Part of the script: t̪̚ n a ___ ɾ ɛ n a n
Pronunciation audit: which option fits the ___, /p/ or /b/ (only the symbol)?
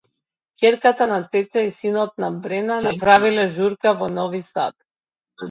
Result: b